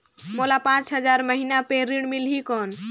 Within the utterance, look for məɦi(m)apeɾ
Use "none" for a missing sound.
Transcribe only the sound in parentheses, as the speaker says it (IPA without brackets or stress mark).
n